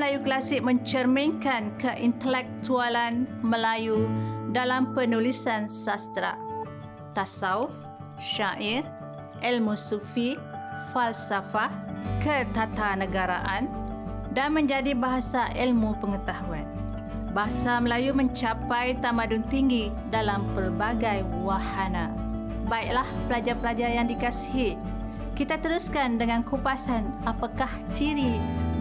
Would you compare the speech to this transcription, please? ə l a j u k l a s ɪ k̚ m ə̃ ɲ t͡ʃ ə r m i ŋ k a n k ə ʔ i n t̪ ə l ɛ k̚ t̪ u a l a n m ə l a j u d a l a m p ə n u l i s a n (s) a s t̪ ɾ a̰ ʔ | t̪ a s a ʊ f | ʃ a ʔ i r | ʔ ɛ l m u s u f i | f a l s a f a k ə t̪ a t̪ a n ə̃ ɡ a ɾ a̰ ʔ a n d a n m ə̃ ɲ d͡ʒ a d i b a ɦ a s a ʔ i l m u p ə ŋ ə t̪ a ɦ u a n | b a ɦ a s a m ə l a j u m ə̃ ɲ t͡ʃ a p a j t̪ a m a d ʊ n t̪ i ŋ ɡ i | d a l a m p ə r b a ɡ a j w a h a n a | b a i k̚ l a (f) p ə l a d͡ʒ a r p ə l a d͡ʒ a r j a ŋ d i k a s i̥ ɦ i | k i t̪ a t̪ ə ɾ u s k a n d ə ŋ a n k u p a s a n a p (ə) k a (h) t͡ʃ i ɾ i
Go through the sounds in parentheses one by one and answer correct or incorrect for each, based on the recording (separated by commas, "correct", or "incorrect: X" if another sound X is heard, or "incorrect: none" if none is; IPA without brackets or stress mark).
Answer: correct, incorrect: h, incorrect: a, correct